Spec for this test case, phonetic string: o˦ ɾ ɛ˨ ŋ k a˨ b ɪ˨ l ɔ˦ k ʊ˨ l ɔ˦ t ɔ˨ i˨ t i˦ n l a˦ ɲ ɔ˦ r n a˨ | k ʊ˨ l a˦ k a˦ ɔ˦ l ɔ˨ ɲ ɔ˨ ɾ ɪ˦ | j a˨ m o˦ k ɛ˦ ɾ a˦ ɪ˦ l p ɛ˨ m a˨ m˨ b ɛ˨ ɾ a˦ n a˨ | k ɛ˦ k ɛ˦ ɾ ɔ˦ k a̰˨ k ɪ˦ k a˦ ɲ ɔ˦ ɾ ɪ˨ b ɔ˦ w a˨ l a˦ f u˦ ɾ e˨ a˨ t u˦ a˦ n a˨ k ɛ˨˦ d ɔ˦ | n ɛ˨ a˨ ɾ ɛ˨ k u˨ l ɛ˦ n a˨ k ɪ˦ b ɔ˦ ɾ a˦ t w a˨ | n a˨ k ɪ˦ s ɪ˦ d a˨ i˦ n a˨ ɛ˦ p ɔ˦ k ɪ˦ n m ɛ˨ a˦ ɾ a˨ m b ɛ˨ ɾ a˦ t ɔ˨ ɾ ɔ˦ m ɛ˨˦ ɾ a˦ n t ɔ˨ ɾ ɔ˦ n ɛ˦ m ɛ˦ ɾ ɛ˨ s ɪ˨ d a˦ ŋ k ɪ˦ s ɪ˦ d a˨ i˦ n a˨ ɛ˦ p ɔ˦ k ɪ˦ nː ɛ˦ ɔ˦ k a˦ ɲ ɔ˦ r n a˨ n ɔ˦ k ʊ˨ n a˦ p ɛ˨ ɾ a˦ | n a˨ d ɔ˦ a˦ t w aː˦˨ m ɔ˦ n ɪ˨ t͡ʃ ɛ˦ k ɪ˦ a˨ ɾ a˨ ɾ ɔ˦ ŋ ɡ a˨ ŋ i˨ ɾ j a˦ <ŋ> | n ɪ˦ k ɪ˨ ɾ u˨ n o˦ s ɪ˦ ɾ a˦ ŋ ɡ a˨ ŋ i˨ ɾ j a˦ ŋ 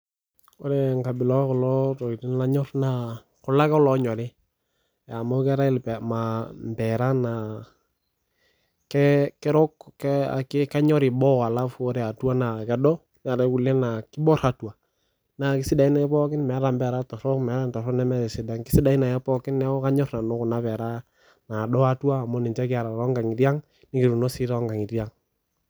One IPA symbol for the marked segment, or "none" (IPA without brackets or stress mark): ŋ